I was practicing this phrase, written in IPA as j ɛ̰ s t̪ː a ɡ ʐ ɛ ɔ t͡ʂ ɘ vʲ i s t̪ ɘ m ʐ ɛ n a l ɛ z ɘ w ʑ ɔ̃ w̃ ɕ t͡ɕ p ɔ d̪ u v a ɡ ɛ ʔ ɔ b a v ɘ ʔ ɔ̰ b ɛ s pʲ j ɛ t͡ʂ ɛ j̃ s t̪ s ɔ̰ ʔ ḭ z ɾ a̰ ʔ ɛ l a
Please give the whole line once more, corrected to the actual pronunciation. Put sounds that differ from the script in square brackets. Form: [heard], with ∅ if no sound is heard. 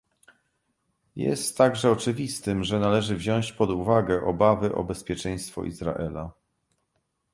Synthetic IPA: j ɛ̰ s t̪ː a ɡ ʐ ɛ ɔ t͡ʂ ɘ vʲ i s t̪ ɘ m ʐ ɛ n a l ɛ [ʐ] ɘ [v] ʑ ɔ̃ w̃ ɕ t͡ɕ p ɔ d̪ u v a ɡ ɛ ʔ ɔ b a v ɘ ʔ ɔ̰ b ɛ s pʲ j ɛ t͡ʂ ɛ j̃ s t̪ [f] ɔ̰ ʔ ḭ z ɾ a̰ ʔ ɛ l a